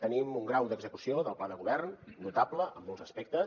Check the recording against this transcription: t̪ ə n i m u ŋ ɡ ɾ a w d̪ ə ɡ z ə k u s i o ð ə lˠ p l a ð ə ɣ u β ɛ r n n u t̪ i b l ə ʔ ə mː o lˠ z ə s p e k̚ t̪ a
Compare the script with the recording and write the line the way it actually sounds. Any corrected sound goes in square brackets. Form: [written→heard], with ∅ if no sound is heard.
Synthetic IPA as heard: t̪ ə n i m u ŋ ɡ ɾ a w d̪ ə ɡ z ə k u s i o ð ə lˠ p l a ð ə ɣ u β ɛ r n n u t̪ [i→a] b l ə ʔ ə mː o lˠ z ə s p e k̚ t̪ [a→ə]

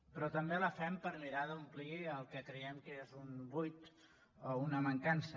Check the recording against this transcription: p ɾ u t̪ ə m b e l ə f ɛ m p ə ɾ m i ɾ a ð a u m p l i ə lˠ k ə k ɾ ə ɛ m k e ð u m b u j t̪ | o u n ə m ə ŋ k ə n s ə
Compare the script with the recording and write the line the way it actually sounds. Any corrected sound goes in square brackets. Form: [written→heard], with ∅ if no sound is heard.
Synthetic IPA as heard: p ɾ [u→ɔ] t̪ ə m b e l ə f ɛ m p ə ɾ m i ɾ a ð [a→ə] u m p l i ə lˠ k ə k ɾ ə ɛ m k e [ð→z] u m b u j t̪ | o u n ə m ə ŋ k [ə→a] n s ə

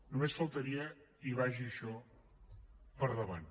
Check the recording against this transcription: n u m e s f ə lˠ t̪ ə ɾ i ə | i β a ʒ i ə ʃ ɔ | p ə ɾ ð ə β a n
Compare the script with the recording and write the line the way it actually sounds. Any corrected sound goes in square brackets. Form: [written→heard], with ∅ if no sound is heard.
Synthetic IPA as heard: n u m e s f ə lˠ t̪ ə ɾ i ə | i β a ʒ i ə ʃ ɔ | p ə ɾ ð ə β a n

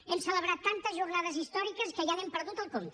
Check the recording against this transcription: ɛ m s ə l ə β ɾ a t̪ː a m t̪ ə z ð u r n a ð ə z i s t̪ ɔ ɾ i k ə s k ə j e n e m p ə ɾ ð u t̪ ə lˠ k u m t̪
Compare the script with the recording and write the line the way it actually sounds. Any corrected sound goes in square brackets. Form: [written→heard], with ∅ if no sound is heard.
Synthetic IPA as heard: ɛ m s ə l ə β ɾ a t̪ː a [m→n] t̪ ə z [ð→ʒ] u r n a ð ə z i s t̪ ɔ ɾ i k ə s k ə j [e→a] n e m p ə ɾ ð u t̪ ə lˠ k [u→o] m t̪

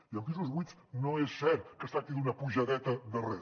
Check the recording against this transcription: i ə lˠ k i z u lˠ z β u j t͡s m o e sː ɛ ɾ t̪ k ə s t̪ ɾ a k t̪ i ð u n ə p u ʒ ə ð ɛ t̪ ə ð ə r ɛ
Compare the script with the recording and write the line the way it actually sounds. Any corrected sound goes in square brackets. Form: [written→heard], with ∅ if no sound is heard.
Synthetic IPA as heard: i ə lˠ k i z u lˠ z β u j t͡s [m→n] o e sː ɛ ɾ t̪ k ə s t̪ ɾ a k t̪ i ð u n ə p u ʒ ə ð ɛ t̪ ə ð ə r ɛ

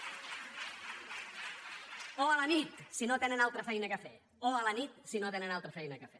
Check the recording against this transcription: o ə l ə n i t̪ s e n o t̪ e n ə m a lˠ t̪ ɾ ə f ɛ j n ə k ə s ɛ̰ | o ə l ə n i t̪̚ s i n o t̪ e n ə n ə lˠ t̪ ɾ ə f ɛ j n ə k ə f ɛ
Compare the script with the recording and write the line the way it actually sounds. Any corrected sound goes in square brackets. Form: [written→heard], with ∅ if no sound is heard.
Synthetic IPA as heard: o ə l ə n i t̪ s [e→i] n o t̪ e n ə [m→n] a lˠ t̪ ɾ ə f ɛ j n ə k ə [s→f] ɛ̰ | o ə l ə n i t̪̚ s i n o t̪ e n ə n [ə→a] lˠ t̪ ɾ ə f ɛ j n ə k ə f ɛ

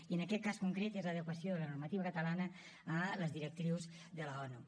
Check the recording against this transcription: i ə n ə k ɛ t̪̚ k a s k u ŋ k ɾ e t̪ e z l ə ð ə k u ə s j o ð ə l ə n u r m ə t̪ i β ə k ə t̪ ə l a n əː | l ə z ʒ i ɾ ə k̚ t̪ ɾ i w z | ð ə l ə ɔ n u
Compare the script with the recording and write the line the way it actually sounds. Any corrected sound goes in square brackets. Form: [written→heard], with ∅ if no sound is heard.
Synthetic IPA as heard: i ə n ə k ɛ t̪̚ k a s k u ŋ k ɾ e t̪ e z l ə ð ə k [u→w] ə s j o ð ə l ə n u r m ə t̪ i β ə k ə t̪ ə l a n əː | l ə z [ʒ→ð] i ɾ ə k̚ t̪ ɾ i w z | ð ə l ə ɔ n u

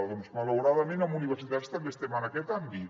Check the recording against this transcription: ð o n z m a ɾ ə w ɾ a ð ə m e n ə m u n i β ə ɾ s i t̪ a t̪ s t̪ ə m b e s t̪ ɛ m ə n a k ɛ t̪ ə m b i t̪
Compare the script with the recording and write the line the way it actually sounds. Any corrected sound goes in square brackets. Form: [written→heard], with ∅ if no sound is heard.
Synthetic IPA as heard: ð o n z m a [ɾ→l] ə w ɾ a ð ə m e n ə m u n i β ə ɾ s i t̪ a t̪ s t̪ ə m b e s t̪ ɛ m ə n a k ɛ t̪ [ə→a] m b i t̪

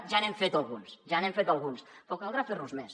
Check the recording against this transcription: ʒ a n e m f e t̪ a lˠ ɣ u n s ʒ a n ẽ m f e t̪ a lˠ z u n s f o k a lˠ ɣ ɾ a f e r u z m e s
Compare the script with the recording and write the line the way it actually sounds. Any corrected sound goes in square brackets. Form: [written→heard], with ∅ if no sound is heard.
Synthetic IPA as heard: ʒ a n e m f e t̪ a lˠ ɣ u n s ʒ a n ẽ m f e t̪ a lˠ [z→ɣ] u n s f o k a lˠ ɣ ɾ a f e r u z m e s

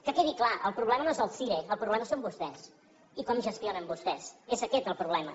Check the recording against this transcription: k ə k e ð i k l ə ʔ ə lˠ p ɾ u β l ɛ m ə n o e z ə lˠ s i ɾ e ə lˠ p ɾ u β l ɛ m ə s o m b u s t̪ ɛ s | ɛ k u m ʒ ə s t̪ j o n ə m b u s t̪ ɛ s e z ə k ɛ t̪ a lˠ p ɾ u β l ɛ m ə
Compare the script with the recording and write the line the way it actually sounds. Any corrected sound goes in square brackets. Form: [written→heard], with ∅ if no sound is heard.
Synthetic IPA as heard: k ə k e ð i k l [ə→a] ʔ ə lˠ p ɾ u β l ɛ m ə n o e z ə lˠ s i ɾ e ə lˠ p ɾ u β l ɛ m ə s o m b u s t̪ ɛ s | [ɛ→i] k [u→ɔ] m ʒ ə s t̪ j o n ə m b u s t̪ ɛ s e z ə k ɛ t̪ [a→ə] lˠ p ɾ u β l ɛ m ə

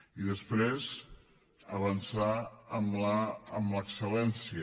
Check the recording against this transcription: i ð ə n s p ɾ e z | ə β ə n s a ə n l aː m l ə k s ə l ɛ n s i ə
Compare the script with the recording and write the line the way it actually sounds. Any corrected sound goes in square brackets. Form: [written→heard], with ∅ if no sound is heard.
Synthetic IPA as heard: i ð ə [n→∅] s p ɾ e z | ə β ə n s a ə [n→m] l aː m l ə k s ə l ɛ n s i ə

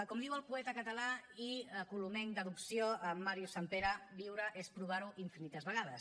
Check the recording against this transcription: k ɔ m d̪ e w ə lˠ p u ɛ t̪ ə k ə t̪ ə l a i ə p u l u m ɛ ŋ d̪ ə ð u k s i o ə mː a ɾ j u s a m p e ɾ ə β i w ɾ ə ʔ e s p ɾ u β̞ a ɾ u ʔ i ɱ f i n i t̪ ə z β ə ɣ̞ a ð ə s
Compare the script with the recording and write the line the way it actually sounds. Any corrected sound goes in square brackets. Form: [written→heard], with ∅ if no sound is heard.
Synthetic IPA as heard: k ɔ m d̪ [e→i] w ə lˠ p u ɛ t̪ ə k ə t̪ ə l a i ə [p→k] u l u m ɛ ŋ d̪ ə ð u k s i o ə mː a ɾ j u s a m p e ɾ ə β i w ɾ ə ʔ e s p ɾ u β̞ a ɾ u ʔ i ɱ f i n i t̪ ə z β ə ɣ̞ a ð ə s

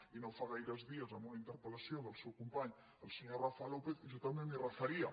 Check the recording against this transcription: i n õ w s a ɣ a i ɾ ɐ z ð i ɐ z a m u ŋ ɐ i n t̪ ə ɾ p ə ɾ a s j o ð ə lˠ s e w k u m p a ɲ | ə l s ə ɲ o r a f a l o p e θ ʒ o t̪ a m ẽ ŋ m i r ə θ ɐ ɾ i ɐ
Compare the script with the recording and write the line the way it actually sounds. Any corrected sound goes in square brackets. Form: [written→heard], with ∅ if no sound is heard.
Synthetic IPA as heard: i n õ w [s→f] a ɣ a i ɾ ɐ z ð i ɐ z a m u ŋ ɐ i n t̪ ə ɾ p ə [ɾ→l] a s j o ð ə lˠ s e w k u m p a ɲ | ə l s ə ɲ o r a f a l o p e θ ʒ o t̪ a m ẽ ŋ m i r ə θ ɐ ɾ i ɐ

